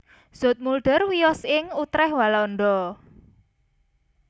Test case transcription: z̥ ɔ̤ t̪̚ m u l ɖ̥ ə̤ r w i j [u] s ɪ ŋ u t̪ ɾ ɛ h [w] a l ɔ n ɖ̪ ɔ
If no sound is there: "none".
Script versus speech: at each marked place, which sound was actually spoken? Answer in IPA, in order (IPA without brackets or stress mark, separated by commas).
ɔ, w